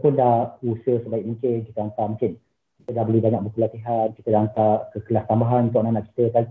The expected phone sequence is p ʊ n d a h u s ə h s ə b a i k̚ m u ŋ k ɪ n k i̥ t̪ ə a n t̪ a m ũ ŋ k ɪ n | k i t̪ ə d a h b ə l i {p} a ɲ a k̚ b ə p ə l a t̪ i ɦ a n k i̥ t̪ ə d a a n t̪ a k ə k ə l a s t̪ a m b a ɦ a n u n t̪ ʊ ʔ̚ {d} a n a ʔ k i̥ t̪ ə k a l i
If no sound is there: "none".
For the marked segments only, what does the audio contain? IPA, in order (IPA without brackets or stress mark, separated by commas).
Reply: b, n